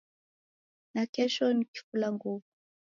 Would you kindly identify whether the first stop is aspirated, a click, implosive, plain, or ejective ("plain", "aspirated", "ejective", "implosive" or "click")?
plain